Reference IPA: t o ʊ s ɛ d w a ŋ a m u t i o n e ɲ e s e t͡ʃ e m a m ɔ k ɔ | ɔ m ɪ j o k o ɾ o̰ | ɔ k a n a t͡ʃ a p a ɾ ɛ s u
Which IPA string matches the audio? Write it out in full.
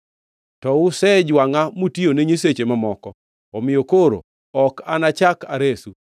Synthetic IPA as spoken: t ɔ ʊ s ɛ d͡ʒ w a ŋ a m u t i o n e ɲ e s e t͡ʃ e m a m ɔ k ɔ | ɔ m ɪ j o k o ɾ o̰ | ɔ k a n a t͡ʃ a k a ɾ e s u

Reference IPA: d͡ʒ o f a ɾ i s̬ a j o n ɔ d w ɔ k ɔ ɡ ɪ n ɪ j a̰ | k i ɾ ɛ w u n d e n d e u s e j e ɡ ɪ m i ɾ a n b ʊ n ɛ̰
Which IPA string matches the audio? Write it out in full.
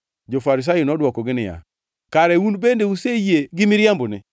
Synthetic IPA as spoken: d͡ʒ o f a ɾ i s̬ a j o n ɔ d w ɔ k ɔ ɡ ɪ n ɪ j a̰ | k a ɾ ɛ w u n b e n d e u s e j e ɡ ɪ m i ɾ a m b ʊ n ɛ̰

